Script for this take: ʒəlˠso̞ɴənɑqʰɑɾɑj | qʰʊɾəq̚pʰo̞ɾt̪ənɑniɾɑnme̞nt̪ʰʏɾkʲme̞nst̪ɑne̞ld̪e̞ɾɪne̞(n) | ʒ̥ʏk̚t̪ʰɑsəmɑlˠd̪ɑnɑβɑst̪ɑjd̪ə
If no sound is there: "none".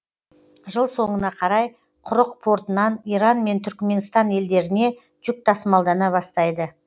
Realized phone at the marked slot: none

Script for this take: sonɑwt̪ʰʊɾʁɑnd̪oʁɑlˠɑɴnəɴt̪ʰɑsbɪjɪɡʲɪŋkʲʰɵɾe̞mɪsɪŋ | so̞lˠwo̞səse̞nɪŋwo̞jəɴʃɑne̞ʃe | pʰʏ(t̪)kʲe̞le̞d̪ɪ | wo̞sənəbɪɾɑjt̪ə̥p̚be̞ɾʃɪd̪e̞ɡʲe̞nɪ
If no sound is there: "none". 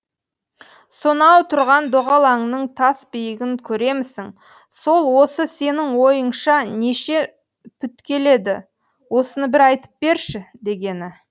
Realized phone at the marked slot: t̪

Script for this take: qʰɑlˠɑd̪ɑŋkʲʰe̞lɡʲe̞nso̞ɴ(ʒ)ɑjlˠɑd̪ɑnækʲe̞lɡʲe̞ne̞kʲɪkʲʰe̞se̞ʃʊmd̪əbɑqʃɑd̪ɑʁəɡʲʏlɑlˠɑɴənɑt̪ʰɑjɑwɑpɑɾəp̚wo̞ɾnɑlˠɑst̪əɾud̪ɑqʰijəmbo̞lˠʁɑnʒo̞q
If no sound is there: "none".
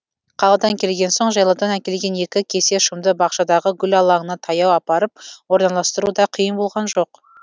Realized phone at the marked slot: ʒ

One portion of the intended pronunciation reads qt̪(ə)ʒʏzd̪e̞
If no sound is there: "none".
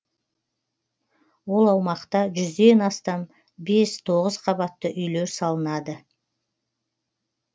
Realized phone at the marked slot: ɑ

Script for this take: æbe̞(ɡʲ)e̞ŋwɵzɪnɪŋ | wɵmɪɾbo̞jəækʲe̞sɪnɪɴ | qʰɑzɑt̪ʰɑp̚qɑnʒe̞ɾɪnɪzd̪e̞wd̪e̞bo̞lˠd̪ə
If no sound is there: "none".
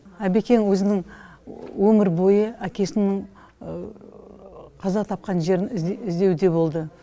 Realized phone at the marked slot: kʲ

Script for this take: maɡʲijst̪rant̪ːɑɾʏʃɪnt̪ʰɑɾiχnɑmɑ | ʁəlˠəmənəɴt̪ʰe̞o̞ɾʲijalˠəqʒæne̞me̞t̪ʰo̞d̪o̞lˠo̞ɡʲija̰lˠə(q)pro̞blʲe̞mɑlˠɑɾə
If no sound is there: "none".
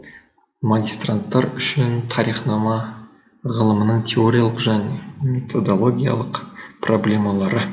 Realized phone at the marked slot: q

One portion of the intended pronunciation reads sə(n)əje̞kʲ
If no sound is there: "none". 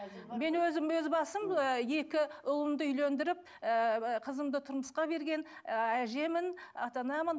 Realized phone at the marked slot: m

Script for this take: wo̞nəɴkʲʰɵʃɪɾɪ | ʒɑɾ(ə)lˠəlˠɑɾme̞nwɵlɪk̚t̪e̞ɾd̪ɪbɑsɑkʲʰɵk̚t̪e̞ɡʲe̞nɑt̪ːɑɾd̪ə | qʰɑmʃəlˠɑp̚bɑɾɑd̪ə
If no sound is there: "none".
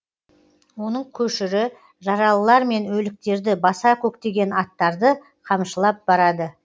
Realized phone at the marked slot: ɑ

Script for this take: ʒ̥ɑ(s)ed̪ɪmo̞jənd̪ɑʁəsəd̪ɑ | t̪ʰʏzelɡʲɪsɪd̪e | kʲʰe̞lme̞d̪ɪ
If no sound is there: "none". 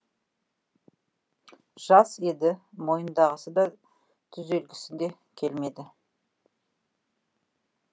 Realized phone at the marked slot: s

